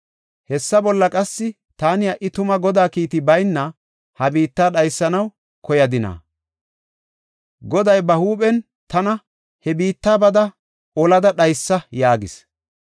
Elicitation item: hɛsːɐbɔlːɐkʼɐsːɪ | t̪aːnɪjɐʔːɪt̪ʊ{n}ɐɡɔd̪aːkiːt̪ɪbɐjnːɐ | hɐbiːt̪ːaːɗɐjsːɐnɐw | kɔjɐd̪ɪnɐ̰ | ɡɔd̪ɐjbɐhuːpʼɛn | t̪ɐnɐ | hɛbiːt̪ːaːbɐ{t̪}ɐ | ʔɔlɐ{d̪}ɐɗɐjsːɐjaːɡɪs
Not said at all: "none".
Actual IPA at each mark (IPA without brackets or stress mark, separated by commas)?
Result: m, d̪, d̪